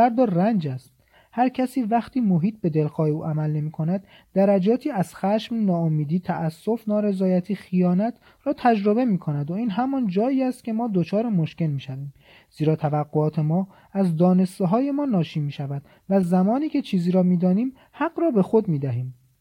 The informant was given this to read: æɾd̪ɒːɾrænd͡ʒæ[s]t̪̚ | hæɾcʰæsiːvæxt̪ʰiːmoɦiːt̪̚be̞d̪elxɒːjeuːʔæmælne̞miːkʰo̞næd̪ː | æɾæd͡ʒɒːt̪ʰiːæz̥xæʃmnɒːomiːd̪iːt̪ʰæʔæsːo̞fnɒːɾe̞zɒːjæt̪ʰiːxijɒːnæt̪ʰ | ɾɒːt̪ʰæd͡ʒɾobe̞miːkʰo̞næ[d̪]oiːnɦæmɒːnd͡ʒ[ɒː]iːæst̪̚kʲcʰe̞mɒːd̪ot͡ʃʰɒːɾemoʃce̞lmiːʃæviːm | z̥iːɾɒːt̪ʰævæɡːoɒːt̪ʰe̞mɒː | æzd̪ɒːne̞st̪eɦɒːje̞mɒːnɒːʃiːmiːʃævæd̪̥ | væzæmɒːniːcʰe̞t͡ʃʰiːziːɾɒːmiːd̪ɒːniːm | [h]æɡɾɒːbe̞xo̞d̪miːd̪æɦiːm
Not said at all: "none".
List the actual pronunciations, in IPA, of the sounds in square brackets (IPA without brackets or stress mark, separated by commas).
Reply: s, d̪, ɒː, h